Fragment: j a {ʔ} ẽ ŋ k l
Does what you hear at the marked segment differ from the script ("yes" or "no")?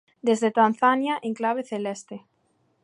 no